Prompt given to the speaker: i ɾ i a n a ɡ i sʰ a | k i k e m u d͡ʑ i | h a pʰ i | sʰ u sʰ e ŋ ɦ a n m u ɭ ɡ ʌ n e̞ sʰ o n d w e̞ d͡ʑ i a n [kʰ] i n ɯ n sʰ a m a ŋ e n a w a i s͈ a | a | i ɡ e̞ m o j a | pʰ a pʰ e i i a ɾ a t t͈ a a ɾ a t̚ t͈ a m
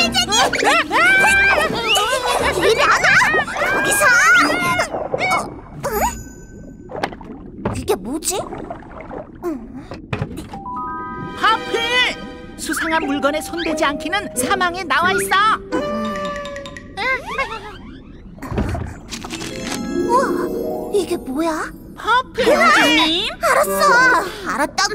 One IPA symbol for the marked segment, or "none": kʰ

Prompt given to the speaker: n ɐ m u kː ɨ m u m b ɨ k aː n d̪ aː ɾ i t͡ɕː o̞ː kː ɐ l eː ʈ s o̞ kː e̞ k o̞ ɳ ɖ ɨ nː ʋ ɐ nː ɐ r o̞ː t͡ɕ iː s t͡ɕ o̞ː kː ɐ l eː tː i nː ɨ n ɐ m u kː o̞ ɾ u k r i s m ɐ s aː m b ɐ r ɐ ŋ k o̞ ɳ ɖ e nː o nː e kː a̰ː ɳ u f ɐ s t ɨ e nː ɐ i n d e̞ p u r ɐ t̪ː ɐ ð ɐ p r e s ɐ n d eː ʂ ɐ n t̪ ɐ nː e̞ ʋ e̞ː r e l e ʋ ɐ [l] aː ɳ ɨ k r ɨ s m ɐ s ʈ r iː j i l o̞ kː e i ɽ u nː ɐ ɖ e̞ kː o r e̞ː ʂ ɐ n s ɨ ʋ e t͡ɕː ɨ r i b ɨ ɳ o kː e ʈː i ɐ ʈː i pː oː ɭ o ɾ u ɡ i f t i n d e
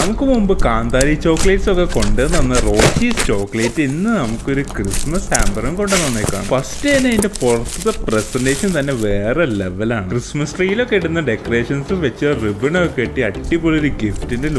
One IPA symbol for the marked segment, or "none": l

